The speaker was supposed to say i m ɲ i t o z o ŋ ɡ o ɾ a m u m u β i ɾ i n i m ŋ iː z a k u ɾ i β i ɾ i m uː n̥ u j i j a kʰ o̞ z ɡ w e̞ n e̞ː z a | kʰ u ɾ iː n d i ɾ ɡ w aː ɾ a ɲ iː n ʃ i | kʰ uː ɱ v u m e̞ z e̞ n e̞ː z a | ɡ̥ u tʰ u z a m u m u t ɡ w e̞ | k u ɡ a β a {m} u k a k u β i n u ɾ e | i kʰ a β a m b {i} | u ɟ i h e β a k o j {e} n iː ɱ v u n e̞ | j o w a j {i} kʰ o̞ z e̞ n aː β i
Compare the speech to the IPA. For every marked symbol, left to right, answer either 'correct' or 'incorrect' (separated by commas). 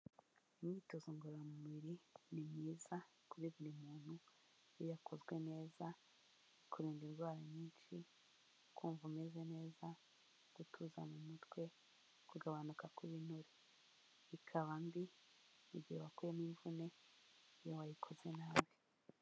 incorrect, correct, correct, correct